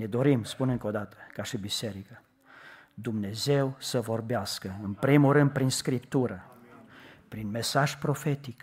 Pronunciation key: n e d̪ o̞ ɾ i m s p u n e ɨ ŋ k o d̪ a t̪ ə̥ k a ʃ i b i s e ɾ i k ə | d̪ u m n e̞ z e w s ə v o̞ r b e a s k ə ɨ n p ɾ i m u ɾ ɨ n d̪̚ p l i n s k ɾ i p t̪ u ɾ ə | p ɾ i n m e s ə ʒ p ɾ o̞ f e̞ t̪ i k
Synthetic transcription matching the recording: n e d̪ o̞ ɾ i m s p u n e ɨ ŋ k o d̪ a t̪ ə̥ k a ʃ i b i s e ɾ i k ə | d̪ u m n e̞ z e w s ə v o̞ r b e a s k ə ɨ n p ɾ i m u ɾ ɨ n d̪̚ p ɾ i n s k ɾ i p t̪ u ɾ ə | p ɾ i n m e s a ʒ p ɾ o̞ f e̞ t̪ i k